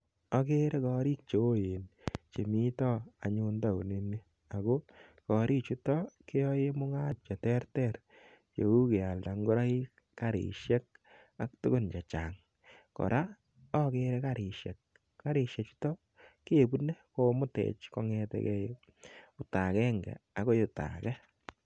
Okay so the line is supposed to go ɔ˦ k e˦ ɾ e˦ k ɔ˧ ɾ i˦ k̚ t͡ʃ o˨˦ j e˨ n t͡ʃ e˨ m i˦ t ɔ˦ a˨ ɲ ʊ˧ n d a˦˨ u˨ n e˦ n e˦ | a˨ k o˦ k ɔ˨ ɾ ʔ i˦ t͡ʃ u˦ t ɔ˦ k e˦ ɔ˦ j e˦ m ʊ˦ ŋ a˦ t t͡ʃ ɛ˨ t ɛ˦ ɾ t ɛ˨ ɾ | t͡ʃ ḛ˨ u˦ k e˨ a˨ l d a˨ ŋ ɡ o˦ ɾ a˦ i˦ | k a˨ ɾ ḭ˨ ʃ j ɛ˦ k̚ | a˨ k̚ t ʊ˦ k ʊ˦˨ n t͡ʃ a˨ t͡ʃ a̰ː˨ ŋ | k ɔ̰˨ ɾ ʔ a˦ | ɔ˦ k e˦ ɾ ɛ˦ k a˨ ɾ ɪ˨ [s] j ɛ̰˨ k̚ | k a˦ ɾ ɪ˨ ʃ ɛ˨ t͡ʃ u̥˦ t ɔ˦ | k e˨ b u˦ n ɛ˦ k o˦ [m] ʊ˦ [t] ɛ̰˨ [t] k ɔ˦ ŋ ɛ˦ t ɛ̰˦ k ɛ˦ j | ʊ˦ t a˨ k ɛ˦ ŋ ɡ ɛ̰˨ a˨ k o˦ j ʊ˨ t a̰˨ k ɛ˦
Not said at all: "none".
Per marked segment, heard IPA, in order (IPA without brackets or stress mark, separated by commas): ʃ, m, t, t͡ʃ